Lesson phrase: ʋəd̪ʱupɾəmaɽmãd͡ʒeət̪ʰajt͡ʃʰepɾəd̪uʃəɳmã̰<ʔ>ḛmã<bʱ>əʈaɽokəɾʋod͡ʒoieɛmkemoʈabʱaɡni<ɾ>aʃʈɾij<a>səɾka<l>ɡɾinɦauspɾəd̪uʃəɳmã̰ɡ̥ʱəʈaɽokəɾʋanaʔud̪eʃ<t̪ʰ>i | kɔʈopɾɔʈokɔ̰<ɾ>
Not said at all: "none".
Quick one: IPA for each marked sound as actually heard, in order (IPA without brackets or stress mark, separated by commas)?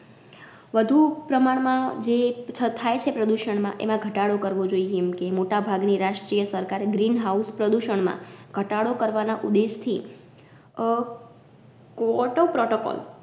ʔ, ɡʱ, ɾ, ə, ɾ, t̪ʰ, l